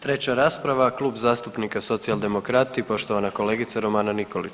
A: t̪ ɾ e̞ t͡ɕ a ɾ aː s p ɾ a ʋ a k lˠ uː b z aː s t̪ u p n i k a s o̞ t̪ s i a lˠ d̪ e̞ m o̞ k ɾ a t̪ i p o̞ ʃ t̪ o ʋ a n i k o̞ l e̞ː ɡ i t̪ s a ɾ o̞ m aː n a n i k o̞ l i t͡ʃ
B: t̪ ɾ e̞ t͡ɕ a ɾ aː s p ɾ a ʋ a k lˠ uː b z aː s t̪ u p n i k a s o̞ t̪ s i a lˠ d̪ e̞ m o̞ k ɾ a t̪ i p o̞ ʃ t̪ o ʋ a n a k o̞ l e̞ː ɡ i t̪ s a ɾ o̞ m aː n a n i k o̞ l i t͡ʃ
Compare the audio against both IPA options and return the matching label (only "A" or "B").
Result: B